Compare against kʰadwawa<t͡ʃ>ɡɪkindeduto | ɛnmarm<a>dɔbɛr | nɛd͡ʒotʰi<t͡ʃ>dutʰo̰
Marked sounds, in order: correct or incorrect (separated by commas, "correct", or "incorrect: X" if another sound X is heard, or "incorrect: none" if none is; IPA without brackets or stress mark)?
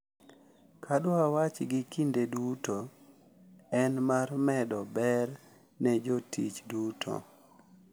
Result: correct, incorrect: ɛ, correct